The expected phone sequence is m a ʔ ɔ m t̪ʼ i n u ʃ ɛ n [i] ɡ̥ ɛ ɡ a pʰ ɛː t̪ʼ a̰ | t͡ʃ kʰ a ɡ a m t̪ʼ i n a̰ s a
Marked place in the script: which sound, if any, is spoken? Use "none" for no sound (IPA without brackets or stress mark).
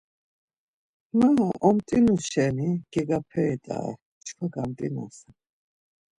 i